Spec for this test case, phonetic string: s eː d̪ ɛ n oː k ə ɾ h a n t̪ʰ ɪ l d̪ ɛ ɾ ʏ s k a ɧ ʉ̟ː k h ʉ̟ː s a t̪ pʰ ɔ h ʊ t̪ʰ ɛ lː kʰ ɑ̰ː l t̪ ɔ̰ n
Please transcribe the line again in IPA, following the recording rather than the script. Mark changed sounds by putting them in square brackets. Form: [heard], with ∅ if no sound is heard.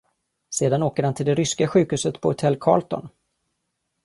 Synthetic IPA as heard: s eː d̪ [a] n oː k ə ɾ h a n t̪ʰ ɪ l d̪ ɛ ɾ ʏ s k a ɧ ʉ̟ː k h ʉ̟ː s [ə] t̪ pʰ ɔ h ʊ t̪ʰ ɛ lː kʰ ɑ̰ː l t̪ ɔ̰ n